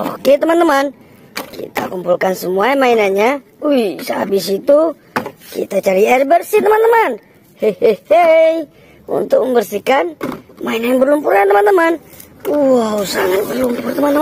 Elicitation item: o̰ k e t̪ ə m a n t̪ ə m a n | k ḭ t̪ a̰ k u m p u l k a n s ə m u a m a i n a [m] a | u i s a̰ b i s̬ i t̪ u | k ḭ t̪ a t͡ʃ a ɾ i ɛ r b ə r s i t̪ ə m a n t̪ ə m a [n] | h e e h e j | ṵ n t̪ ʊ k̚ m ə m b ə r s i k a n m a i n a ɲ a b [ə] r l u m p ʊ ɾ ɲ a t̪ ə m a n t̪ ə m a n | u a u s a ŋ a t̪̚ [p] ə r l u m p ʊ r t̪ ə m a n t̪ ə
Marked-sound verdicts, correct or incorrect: incorrect: ɲ, correct, correct, incorrect: b

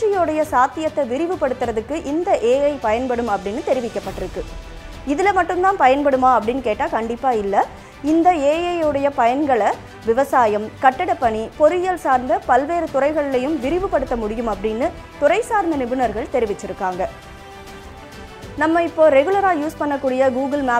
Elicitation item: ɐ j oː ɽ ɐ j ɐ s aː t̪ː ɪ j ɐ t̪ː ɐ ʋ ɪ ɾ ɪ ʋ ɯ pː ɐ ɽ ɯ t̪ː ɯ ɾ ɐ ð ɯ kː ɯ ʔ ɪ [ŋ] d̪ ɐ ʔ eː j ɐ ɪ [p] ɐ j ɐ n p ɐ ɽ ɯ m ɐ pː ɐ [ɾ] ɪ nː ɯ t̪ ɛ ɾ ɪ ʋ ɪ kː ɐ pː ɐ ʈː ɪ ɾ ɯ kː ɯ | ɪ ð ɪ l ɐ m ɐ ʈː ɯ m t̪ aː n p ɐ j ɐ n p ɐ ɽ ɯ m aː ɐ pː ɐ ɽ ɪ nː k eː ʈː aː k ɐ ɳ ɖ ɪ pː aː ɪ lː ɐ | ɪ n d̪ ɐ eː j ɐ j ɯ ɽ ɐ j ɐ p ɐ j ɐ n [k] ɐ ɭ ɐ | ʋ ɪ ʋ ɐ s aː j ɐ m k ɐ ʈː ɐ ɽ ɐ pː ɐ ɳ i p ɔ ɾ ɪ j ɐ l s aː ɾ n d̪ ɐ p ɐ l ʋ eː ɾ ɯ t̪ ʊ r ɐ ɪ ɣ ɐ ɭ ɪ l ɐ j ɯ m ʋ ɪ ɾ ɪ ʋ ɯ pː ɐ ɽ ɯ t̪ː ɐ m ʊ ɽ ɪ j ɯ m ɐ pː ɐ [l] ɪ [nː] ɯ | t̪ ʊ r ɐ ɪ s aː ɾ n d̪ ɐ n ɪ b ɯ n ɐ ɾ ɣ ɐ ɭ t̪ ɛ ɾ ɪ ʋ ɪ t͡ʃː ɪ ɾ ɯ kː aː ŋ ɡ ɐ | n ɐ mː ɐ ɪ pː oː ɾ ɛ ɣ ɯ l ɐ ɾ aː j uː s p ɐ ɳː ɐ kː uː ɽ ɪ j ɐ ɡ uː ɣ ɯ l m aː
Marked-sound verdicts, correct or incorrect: incorrect: n, correct, incorrect: ɽ, incorrect: ɡ, incorrect: ɽ, correct

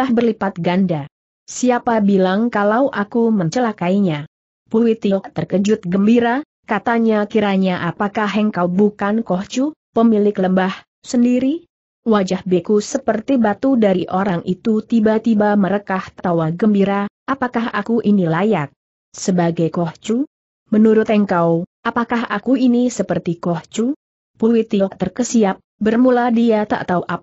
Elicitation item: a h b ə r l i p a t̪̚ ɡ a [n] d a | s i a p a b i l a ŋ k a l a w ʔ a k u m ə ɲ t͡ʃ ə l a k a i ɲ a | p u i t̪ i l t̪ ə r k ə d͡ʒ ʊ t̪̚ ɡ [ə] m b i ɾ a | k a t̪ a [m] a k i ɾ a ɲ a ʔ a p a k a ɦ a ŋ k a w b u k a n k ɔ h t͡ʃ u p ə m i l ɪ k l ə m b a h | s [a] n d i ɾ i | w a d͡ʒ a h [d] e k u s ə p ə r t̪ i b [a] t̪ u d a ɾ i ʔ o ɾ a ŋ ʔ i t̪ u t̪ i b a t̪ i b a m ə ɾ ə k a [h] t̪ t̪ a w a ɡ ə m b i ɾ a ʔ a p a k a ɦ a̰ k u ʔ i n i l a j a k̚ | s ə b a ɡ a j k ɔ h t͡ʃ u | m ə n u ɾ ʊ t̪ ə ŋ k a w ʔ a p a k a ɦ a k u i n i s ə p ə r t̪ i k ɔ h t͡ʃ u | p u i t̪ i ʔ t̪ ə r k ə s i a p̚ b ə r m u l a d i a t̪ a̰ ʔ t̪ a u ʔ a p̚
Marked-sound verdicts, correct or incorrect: correct, correct, incorrect: ɲ, incorrect: ə, incorrect: b, correct, correct

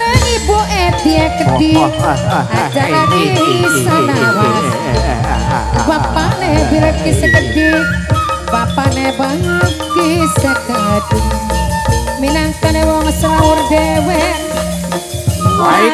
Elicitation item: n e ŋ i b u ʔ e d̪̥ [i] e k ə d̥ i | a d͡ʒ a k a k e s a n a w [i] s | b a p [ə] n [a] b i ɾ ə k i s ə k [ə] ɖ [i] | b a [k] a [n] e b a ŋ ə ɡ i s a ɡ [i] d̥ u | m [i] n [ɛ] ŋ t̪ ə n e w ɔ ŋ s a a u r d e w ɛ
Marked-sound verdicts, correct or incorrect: correct, incorrect: a, incorrect: a, incorrect: e, correct, correct, incorrect: p, correct, incorrect: a, correct, incorrect: a

